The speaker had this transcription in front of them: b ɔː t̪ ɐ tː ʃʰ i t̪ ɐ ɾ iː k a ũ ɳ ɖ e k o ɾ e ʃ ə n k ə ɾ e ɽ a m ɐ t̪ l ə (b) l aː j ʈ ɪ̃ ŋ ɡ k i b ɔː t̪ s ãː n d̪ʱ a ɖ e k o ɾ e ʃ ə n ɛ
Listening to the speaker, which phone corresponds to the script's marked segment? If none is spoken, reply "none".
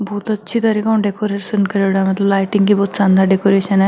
b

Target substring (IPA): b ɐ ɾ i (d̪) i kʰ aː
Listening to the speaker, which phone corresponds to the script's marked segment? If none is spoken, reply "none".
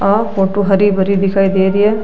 d̪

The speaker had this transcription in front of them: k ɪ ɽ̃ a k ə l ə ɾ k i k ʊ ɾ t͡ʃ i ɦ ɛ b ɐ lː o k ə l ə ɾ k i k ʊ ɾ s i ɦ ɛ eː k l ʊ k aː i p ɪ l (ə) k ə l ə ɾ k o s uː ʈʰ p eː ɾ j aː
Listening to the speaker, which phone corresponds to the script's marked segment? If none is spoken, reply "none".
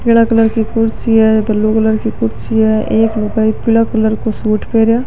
a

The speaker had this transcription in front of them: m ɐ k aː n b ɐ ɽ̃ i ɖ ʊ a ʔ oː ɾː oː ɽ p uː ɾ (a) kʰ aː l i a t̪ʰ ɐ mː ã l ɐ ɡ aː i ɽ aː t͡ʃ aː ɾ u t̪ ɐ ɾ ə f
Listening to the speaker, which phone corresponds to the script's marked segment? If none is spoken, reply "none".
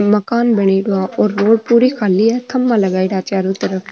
i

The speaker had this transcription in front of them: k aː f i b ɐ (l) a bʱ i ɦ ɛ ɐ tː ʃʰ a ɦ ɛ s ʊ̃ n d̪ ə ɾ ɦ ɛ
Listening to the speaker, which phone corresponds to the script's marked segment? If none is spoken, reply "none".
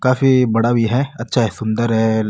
ɽ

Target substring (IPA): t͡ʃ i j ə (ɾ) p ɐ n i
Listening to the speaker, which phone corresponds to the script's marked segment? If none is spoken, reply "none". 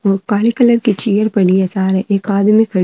ɾ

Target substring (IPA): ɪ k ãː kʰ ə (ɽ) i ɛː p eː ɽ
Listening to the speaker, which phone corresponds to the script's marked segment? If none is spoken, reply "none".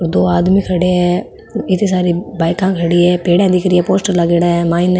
ɽ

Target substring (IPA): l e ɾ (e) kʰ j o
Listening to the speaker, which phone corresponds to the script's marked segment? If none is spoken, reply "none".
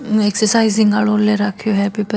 a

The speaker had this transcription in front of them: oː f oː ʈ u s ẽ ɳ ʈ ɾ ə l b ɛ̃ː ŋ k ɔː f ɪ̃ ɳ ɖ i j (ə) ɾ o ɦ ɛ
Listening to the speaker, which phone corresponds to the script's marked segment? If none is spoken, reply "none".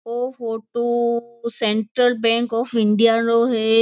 a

